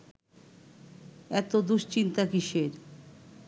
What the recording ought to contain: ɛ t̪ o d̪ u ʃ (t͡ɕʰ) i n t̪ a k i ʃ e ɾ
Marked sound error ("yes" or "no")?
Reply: yes